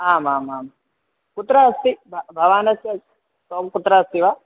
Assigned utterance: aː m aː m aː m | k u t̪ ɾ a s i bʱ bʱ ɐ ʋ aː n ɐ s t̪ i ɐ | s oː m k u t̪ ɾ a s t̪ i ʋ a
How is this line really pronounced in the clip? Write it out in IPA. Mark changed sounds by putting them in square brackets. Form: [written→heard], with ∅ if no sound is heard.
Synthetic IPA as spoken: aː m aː m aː m | k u t̪ ɾ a s i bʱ bʱ ɐ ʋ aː n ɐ s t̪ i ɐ | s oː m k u t̪ ɾ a s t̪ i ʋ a